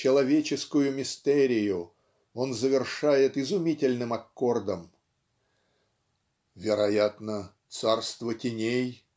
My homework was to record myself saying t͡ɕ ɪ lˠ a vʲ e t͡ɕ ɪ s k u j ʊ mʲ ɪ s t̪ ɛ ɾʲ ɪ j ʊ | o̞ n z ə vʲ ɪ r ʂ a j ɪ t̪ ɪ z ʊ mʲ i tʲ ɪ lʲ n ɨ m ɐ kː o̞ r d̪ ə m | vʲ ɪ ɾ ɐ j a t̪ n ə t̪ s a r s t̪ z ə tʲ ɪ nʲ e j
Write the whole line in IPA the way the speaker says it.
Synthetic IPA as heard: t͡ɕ ɪ lˠ ɐ vʲ e t͡ɕ ɪ s k ʊ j ʊ mʲ ɪ s t̪ ɛ ɾʲ ɪ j ʊ | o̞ n z ə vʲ ɪ r ʂ a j ɪ t̪ ɪ z ʊ mʲ i tʲ ɪ lʲ n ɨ m ɐ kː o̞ r d̪ ə m | vʲ ɪ ɾ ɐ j a t̪ n ə t̪ s a r s t̪ v ə tʲ ɪ nʲ e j